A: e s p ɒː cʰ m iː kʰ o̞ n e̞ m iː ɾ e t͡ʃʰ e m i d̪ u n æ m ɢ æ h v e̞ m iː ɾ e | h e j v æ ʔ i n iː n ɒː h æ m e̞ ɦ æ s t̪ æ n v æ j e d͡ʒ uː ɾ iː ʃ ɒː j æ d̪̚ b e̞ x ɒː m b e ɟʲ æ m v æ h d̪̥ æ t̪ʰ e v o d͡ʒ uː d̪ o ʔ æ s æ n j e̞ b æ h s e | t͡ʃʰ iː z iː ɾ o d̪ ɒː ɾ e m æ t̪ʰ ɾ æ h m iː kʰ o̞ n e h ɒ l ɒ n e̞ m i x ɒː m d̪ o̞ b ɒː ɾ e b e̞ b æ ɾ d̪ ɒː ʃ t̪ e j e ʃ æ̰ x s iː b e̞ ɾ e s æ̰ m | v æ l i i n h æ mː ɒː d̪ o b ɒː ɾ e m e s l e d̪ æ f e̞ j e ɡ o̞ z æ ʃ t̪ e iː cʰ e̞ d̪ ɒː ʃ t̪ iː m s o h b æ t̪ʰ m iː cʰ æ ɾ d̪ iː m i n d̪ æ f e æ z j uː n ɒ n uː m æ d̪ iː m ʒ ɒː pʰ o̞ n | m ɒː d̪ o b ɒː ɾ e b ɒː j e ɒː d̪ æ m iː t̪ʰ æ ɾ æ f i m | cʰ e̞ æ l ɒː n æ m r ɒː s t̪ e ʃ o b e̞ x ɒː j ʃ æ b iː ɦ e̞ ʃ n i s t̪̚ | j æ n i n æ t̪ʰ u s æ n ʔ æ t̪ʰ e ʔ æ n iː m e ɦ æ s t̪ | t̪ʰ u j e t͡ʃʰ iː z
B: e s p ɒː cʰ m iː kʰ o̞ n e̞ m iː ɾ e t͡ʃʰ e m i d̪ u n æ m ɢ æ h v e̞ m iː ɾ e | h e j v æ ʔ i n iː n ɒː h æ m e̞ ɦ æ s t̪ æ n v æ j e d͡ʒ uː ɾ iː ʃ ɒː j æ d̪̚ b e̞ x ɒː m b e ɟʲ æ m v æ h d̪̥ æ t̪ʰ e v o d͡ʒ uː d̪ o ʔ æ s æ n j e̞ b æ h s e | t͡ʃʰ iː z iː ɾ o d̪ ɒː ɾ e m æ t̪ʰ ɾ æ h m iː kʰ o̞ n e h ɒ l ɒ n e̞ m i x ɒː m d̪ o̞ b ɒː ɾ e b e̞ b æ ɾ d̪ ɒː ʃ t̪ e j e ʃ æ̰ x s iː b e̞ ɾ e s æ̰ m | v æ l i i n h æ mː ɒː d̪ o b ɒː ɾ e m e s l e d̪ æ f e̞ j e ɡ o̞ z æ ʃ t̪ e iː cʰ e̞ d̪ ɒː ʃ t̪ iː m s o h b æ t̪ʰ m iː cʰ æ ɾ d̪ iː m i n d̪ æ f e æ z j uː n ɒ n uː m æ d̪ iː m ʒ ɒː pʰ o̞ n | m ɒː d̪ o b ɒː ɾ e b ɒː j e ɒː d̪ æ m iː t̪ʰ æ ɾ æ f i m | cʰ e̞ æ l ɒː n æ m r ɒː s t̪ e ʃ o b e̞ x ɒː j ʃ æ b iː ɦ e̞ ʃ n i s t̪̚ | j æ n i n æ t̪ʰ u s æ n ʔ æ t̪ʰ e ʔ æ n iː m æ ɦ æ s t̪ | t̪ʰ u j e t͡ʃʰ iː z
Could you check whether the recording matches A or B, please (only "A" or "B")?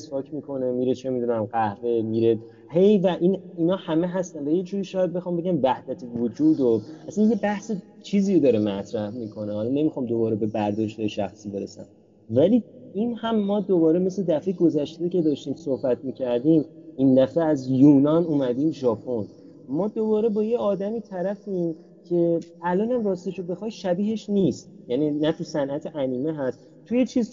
A